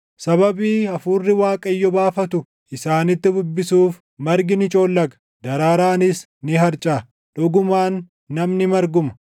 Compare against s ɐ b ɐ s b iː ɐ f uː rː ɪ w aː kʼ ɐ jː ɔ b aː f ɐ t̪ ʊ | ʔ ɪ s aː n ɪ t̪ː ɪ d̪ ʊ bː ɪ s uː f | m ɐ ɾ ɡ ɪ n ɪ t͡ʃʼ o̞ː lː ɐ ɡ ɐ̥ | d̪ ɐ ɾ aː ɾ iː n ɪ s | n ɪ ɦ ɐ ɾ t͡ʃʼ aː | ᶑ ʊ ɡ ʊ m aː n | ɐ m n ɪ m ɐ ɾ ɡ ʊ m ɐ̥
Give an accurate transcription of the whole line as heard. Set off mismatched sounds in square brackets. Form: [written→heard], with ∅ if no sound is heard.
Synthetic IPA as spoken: s ɐ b ɐ [s→∅] b iː ɐ f uː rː ɪ w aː kʼ ɐ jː ɔ b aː f ɐ t̪ ʊ | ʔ ɪ s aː n ɪ t̪ː ɪ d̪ ʊ bː ɪ s uː f | m ɐ ɾ ɡ ɪ n ɪ t͡ʃʼ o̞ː lː ɐ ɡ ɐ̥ | d̪ ɐ ɾ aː ɾ [iː→aː] n ɪ s | n ɪ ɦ ɐ ɾ t͡ʃʼ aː | ᶑ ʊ ɡ ʊ m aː [n→nː] | ɐ m n ɪ m ɐ ɾ ɡ ʊ m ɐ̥

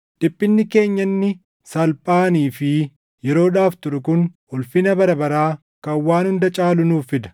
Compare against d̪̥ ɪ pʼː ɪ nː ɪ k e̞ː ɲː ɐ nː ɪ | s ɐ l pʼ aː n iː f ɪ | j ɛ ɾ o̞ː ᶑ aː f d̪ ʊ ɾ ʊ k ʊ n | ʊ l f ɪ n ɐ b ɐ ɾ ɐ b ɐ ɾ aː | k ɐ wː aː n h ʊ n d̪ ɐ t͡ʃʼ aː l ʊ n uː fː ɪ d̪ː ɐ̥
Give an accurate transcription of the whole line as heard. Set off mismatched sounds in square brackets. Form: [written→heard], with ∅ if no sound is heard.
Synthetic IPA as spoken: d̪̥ ɪ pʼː ɪ nː ɪ k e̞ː ɲː ɐ nː ɪ | s ɐ l pʼ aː n iː f ɪ | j ɛ ɾ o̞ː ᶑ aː f [d̪→t̪] ʊ ɾ ʊ k ʊ n | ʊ l f ɪ n ɐ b ɐ ɾ ɐ b ɐ ɾ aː | k ɐ wː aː n h ʊ n d̪ ɐ t͡ʃʼ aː l ʊ n uː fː ɪ [d̪ː→d̪] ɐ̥

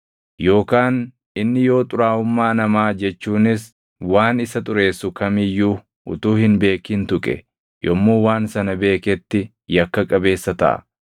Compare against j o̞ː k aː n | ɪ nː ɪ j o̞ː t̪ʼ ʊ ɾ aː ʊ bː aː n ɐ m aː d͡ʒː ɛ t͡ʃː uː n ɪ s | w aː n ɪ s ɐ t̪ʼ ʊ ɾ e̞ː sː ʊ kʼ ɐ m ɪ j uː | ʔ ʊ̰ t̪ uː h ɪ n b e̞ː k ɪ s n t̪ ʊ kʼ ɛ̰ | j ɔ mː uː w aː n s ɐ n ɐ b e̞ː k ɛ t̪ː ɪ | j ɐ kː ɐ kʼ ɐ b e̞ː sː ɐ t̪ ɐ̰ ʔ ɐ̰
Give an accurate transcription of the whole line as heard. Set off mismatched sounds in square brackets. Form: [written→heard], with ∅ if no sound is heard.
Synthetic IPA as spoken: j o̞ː k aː n | ɪ nː ɪ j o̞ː t̪ʼ ʊ ɾ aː ʊ [bː→mː] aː n ɐ m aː [d͡ʒː→d͡ʒ] ɛ t͡ʃː uː n ɪ s | w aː n ɪ s ɐ t̪ʼ ʊ ɾ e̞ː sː ʊ [kʼ→k] ɐ m ɪ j uː | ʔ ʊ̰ t̪ uː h ɪ n b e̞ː k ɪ [s→∅] n t̪ ʊ kʼ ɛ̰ | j ɔ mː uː w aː n s ɐ n ɐ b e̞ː k ɛ t̪ː ɪ | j ɐ kː ɐ kʼ ɐ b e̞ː sː ɐ t̪ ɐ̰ ʔ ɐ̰

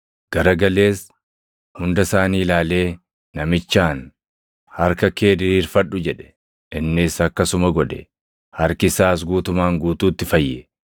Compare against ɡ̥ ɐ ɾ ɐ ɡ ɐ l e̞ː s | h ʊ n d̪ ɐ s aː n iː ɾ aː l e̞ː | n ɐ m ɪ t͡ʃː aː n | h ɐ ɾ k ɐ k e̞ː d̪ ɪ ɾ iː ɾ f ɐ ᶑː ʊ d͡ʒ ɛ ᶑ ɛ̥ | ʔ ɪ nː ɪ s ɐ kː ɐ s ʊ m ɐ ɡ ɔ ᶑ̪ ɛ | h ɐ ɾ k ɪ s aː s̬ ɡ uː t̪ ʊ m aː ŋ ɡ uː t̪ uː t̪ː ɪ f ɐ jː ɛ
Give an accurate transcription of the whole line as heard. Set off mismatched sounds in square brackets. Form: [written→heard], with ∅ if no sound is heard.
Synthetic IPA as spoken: ɡ̥ ɐ ɾ ɐ ɡ ɐ l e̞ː s | h ʊ n d̪ ɐ s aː n iː [ɾ→l] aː l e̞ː | n ɐ m ɪ t͡ʃː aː n | h ɐ ɾ k ɐ k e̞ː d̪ ɪ ɾ iː ɾ f ɐ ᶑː ʊ d͡ʒ ɛ ᶑ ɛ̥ | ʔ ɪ nː ɪ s ɐ kː ɐ s ʊ m ɐ ɡ ɔ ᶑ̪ ɛ | h ɐ ɾ k ɪ s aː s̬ ɡ uː t̪ ʊ m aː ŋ ɡ uː t̪ uː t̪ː ɪ f ɐ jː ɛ

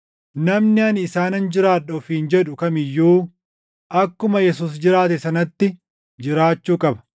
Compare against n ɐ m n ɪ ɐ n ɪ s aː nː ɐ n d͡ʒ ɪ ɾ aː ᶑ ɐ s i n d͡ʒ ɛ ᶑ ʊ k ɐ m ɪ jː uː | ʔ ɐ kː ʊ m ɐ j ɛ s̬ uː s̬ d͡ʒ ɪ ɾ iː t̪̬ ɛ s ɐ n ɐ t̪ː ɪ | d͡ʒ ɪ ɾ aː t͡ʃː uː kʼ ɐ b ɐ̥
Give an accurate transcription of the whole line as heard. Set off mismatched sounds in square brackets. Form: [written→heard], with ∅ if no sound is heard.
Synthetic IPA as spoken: n ɐ m n ɪ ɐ n ɪ s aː [nː→n] ɐ n d͡ʒ ɪ ɾ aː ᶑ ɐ [s→f] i n d͡ʒ ɛ ᶑ ʊ k ɐ m ɪ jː uː | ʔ ɐ kː ʊ m ɐ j ɛ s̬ uː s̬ d͡ʒ ɪ ɾ [iː→aː] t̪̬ ɛ s ɐ n ɐ t̪ː ɪ | d͡ʒ ɪ ɾ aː t͡ʃː uː kʼ ɐ b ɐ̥

